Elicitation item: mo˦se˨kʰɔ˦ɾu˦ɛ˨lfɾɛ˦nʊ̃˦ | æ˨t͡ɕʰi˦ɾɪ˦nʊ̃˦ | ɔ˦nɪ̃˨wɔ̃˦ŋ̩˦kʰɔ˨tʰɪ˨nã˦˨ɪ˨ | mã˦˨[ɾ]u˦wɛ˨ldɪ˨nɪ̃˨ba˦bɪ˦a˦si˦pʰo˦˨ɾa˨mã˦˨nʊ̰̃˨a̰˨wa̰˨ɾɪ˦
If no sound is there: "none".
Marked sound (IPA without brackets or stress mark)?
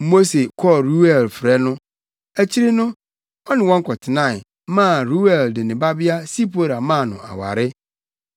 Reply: ɾ